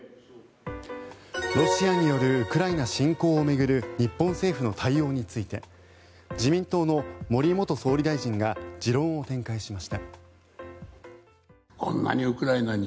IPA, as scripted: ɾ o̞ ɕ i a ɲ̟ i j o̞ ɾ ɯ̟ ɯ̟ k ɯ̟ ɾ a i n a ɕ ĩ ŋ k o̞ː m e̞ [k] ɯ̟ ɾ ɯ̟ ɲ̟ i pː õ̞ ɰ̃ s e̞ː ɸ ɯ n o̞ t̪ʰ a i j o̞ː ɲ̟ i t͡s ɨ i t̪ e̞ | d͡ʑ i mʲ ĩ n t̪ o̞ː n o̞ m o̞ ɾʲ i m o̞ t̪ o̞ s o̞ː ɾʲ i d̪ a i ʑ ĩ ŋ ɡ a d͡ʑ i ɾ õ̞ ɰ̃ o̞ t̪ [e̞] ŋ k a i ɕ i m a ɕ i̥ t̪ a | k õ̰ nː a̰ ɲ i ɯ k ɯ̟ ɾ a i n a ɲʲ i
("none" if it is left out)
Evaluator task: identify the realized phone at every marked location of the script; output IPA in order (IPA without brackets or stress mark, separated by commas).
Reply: ɡ, ẽ̞